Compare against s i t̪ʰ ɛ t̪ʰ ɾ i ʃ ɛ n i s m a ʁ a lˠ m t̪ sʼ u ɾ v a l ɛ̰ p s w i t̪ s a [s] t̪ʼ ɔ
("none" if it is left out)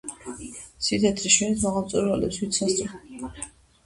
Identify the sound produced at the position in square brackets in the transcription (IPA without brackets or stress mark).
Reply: s